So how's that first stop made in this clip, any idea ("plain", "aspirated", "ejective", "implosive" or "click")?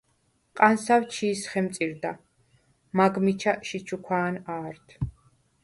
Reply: ejective